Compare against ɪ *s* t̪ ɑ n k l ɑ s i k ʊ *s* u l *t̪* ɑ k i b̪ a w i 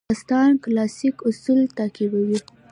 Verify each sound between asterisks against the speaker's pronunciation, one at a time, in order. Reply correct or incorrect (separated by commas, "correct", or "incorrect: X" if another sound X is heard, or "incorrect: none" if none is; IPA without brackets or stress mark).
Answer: correct, correct, correct